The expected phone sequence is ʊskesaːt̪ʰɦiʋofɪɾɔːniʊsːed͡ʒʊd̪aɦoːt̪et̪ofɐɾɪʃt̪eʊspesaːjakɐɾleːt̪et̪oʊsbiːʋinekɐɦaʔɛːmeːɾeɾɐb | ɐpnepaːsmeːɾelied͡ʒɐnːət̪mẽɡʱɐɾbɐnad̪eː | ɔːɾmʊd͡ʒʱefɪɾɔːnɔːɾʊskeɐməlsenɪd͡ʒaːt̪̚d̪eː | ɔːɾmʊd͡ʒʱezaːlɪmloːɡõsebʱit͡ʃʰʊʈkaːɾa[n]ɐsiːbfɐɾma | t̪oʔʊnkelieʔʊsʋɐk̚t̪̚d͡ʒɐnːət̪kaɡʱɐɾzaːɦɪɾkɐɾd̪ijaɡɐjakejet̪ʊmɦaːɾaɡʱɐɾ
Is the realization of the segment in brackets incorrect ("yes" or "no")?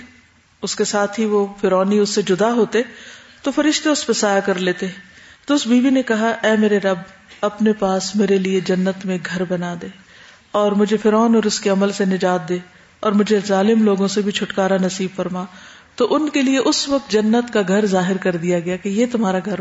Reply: no